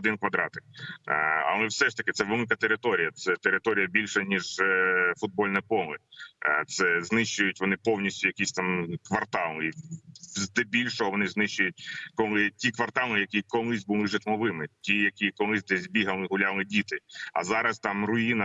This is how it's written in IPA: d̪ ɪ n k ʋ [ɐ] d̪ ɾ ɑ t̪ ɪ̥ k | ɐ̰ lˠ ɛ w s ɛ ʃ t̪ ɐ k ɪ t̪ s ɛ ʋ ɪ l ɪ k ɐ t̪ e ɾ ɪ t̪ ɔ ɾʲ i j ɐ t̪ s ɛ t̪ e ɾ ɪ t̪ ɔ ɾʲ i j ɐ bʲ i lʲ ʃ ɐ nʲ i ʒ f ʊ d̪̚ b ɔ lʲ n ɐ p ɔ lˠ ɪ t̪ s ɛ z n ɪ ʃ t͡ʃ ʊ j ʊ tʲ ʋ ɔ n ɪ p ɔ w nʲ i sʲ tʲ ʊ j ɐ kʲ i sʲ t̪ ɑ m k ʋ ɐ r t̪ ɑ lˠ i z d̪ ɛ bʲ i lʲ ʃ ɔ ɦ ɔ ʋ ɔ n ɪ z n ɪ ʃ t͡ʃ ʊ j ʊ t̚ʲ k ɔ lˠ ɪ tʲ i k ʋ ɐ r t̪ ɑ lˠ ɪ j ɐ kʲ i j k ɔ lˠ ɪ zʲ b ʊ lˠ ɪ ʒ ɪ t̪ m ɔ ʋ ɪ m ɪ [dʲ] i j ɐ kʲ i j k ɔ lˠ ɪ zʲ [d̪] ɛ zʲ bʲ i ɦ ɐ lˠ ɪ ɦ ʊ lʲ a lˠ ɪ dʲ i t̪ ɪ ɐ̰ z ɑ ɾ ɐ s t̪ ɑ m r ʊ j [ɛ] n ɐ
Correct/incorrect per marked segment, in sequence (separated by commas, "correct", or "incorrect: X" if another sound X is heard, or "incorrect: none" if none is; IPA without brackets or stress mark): correct, incorrect: tʲ, correct, incorrect: i